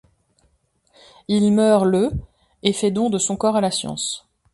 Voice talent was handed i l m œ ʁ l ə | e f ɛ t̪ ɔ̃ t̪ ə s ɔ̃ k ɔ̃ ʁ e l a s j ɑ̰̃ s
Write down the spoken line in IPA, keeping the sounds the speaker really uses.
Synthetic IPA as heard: i l m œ ʁ l ə | e f ɛ d̪ ɔ̃ d̪ ə s ɔ̃ k ɔ ʁ a l a s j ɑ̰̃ s